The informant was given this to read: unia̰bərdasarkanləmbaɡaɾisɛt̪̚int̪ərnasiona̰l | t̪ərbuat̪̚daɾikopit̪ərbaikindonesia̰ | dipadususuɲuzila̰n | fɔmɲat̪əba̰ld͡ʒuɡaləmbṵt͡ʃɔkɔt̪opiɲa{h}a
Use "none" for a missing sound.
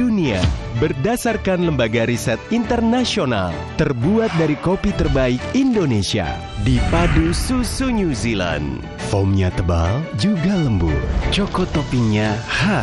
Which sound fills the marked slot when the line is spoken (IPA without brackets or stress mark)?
h